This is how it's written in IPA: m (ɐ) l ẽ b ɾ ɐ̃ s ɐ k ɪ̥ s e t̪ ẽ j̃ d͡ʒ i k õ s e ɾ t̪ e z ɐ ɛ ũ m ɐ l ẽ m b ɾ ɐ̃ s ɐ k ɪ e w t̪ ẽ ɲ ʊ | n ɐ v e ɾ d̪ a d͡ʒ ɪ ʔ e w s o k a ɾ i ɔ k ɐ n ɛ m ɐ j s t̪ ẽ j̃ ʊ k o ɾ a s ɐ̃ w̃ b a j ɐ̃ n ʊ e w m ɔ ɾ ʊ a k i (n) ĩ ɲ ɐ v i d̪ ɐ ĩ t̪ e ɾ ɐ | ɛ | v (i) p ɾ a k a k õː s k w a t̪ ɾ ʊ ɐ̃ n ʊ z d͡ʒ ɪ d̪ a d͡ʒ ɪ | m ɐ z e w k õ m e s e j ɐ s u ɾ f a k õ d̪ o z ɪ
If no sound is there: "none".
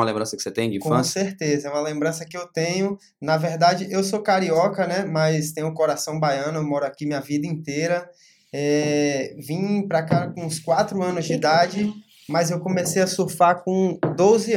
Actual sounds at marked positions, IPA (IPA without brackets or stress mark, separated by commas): ɐ, m, ĩ